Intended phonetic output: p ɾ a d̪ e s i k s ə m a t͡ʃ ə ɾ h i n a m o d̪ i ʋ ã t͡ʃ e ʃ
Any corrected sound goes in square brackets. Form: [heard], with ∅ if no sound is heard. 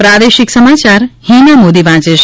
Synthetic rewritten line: p ɾ a d̪ e [ʃ] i k s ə m a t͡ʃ [a] ɾ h i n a m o d̪ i ʋ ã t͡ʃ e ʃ